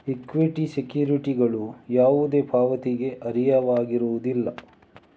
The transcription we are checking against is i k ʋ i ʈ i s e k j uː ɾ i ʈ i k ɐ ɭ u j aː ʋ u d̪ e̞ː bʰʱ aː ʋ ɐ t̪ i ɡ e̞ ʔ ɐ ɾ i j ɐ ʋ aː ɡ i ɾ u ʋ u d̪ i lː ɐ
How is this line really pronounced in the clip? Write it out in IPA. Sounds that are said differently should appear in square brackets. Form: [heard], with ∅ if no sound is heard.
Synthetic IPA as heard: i k ʋ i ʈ i s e k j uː ɾ i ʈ i [ɡ] ɐ ɭ u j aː ʋ u d̪ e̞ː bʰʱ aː ʋ ɐ t̪ i ɡ e̞ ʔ ɐ ɾ i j ɐ ʋ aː ɡ i ɾ u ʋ u d̪ i lː ɐ